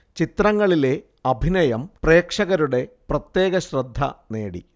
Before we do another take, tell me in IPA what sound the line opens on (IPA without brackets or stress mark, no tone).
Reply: t͡ɕ